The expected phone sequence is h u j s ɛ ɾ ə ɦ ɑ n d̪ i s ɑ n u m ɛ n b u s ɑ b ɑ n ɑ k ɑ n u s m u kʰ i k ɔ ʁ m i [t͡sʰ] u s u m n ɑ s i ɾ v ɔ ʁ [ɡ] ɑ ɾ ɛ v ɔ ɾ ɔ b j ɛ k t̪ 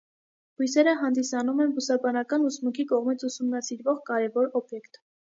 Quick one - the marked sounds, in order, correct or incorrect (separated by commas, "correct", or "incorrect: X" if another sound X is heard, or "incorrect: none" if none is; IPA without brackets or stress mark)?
correct, incorrect: k